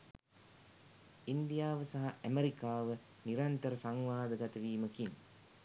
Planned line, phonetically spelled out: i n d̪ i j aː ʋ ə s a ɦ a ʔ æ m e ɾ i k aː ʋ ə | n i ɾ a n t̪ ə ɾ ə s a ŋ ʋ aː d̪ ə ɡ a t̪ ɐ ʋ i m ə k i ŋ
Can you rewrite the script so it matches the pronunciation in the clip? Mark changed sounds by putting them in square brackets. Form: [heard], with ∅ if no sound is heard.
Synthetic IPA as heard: i n d̪ i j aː ʋ ə s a ɦ a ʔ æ m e ɾ i k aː ʋ ə | n i ɾ a n t̪ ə ɾ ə s a ŋ ʋ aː d̪ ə ɡ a t̪ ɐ ʋ [iː] m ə k i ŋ